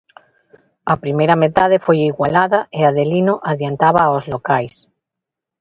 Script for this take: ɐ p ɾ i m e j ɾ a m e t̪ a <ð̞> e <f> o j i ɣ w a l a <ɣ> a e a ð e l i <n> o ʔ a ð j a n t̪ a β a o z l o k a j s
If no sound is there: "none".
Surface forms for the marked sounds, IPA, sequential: ð̞, f, ð, n

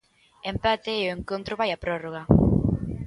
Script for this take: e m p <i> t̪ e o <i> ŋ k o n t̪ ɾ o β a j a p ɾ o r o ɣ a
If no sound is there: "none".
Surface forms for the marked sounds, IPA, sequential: a, e

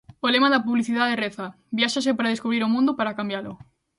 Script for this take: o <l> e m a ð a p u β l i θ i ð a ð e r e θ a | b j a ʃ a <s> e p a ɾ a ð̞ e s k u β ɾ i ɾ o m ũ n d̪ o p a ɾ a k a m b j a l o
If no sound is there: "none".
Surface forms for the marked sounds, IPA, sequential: l, s

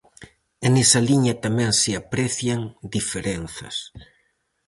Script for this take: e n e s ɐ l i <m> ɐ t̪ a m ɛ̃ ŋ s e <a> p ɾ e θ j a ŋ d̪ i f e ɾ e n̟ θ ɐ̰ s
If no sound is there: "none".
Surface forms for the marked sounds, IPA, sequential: ɲ, a

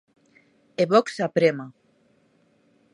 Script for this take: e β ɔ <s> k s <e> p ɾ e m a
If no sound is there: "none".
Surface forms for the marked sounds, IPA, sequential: none, a

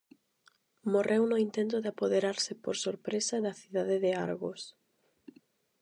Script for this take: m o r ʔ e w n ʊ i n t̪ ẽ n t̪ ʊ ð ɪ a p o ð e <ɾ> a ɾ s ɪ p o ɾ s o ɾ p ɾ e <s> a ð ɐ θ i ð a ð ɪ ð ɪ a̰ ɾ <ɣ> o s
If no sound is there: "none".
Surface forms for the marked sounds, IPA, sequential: ɾ, s, ɣ

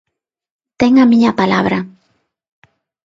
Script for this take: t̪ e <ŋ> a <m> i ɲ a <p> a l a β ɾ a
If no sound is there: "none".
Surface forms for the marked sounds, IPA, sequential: ŋ, m, p

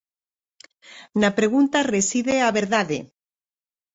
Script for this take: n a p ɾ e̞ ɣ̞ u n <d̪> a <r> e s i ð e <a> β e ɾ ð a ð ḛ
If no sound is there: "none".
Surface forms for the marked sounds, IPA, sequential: t̪, r, a

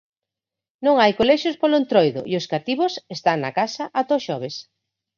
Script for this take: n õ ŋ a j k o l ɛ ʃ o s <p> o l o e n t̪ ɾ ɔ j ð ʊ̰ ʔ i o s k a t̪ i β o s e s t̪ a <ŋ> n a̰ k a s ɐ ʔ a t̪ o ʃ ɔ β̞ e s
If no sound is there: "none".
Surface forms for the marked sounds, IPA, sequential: p, ŋ

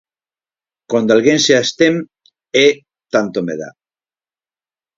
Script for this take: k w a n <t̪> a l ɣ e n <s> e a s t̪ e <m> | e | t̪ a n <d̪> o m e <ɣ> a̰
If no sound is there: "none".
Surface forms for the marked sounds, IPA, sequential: d̪, s, m, t̪, ð

